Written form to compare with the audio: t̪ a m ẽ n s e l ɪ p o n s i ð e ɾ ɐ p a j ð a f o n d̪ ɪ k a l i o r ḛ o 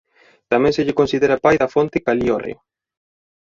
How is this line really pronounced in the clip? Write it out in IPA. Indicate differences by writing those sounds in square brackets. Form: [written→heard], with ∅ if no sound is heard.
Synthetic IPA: t̪ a m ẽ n s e [l→ʎ] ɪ [p→k] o n s i ð e ɾ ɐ p a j ð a f o n [d̪→t̪] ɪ k a l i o r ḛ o